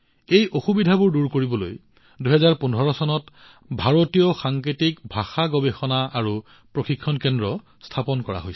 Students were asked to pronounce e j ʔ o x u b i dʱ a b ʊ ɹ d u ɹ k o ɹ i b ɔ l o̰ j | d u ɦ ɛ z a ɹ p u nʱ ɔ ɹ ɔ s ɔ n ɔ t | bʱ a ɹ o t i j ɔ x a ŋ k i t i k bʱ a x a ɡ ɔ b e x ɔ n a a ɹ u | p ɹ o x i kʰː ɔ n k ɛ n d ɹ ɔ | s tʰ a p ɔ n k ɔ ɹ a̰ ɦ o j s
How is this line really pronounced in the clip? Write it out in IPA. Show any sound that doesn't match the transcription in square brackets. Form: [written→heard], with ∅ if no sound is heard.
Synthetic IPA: e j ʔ o x u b i dʱ a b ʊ ɹ d u ɹ k o ɹ i b ɔ l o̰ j | d u ɦ ɛ z a ɹ p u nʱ ɔ ɹ ɔ s ɔ n ɔ t | bʱ a ɹ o t i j ɔ x a ŋ k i t i k bʱ a x a ɡ ɔ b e x ɔ n a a ɹ u | p ɹ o x i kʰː ɔ n k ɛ n d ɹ ɔ | s tʰ a p ɔ n k ɔ ɹ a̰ ɦ o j s